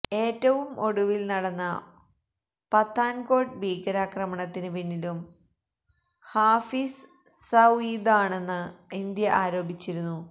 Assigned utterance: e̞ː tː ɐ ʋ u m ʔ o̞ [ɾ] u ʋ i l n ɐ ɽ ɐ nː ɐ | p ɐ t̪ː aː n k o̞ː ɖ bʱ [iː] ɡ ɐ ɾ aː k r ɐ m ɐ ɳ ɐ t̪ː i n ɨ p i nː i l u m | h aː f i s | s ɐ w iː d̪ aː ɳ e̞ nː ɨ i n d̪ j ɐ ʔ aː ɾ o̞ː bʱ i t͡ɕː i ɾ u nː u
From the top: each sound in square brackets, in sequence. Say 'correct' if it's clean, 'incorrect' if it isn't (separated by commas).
incorrect, correct